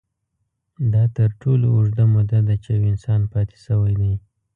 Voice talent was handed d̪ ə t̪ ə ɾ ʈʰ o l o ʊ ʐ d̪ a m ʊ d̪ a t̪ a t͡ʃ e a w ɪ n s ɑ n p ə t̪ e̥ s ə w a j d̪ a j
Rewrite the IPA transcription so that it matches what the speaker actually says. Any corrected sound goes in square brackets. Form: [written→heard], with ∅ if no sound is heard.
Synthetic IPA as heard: d̪ [ə→ɑ] t̪ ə ɾ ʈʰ o l o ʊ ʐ d̪ a m ʊ d̪ a [t̪→d̪] a t͡ʃ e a w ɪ n s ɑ n p [ə→ɑ] t̪ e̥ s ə w a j d̪ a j